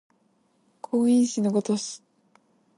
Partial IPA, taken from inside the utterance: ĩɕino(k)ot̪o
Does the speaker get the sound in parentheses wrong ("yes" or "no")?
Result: yes